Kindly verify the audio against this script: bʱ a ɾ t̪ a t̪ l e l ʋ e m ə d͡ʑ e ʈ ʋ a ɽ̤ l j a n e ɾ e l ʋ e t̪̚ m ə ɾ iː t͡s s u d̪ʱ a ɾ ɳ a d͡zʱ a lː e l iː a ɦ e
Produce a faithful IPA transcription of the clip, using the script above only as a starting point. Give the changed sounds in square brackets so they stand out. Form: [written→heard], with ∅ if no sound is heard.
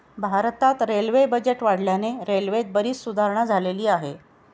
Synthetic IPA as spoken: bʱ a ɾ t̪ a t̪ [l→ɾ] e l ʋ e [m→b] ə d͡ʑ e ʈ ʋ a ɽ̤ l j a n e ɾ e l ʋ e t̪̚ [m→b] ə ɾ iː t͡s s u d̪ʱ a ɾ ɳ a d͡zʱ a [lː→l] e l iː a ɦ e